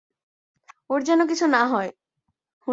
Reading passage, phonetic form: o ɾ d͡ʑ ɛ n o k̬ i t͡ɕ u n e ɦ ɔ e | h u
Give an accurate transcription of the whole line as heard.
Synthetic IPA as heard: o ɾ d͡ʑ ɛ n o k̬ i t͡ɕʰ u n a ɦ ɔ e | h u